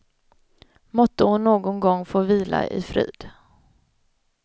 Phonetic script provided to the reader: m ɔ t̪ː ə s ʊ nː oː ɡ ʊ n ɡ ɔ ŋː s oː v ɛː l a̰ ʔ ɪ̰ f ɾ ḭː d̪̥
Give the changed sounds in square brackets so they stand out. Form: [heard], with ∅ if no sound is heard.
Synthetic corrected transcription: m ɔ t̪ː ə [h] ʊ nː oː ɡ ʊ n ɡ ɔ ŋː [f] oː v [iː] l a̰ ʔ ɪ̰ f ɾ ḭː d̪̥